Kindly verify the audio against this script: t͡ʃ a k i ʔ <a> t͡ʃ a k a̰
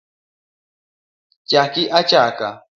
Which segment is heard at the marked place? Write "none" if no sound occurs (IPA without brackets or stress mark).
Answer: a